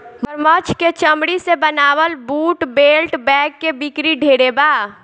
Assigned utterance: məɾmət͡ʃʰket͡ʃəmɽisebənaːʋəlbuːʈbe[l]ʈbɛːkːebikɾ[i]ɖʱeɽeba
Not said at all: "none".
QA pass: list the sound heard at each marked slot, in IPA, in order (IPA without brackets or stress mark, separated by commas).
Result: l, i